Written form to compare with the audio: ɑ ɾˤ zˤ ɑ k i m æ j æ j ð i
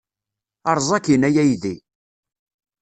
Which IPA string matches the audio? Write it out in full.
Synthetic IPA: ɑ ɾˤ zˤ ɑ k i n æ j æ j ð i